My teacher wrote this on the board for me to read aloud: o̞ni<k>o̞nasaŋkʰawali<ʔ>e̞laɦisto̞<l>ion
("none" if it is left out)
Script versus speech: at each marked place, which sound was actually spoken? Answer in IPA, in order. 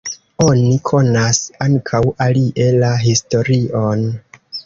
kʰ, ʔ, ɾ

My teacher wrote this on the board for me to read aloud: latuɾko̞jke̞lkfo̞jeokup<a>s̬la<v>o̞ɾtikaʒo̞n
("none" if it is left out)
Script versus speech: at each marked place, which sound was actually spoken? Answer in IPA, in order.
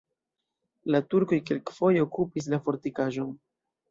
i, f

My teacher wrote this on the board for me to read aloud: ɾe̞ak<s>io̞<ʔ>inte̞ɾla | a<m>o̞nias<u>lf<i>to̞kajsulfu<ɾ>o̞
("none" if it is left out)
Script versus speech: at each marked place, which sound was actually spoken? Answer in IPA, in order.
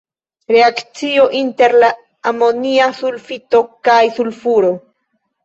t͡s, ʔ, m, u, i, ɾ

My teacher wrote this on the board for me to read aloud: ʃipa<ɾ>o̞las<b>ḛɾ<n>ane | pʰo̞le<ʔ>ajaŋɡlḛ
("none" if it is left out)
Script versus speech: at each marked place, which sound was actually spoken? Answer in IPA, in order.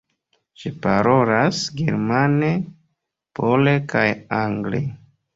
ɾ, ɡ, m, k

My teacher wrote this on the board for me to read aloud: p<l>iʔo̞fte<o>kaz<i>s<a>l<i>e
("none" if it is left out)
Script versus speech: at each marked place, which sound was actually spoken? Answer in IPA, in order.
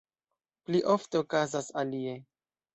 l, o, a, a, i

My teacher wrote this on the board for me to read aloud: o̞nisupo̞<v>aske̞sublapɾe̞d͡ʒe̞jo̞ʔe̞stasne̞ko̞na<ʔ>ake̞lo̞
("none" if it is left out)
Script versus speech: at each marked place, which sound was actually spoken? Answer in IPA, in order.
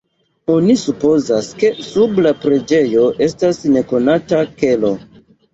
z, t

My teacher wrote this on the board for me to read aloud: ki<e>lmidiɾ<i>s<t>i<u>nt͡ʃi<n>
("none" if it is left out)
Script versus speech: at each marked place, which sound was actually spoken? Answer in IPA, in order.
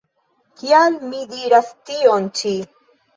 a, a, t, o, none

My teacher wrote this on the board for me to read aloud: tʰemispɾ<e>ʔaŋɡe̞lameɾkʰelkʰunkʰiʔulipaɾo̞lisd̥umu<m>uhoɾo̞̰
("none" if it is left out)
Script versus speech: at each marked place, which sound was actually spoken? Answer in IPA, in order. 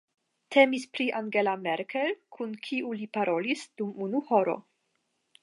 i, n

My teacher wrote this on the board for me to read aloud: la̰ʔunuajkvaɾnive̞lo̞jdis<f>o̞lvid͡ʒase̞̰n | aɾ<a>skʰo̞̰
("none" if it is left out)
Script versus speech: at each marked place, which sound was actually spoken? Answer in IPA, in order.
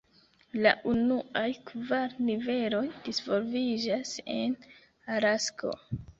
v, a

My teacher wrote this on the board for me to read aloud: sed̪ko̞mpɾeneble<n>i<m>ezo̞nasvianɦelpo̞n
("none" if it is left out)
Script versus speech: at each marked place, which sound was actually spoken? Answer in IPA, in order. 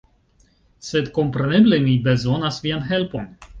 m, b

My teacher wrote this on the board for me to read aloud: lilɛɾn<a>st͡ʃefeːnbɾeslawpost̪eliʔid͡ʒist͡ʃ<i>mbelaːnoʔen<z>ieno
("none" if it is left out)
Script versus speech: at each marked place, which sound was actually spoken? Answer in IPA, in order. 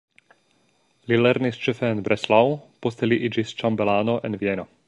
i, a, v

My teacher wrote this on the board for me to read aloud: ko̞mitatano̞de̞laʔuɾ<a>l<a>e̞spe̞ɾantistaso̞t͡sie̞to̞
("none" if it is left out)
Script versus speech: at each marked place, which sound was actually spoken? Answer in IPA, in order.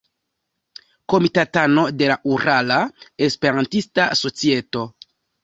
a, a

